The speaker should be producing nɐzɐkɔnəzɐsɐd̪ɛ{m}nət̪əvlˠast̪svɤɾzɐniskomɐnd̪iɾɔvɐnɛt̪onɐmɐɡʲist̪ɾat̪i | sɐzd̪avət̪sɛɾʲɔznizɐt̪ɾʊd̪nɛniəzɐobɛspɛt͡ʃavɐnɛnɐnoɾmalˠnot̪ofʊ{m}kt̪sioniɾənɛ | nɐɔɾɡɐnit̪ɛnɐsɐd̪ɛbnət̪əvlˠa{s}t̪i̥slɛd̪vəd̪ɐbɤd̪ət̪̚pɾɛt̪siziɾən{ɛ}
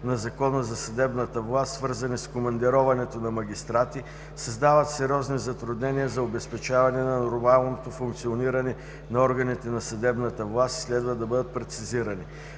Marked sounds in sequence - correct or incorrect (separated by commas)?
incorrect, incorrect, correct, incorrect